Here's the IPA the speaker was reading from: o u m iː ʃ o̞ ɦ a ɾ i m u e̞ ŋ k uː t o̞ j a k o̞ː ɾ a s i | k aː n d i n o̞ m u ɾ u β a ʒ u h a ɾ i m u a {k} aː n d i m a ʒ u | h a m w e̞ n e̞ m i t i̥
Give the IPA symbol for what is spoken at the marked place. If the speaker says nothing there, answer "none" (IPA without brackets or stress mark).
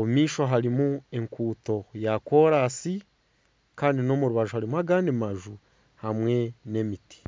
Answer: ɡ